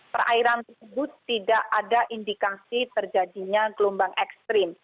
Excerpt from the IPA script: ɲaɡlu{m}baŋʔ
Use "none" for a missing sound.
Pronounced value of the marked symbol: m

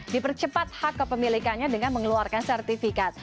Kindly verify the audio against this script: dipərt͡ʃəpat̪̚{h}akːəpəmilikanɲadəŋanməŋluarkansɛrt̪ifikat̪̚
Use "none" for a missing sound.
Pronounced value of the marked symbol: h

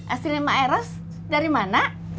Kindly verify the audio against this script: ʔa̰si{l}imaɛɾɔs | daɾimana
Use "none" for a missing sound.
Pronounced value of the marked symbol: l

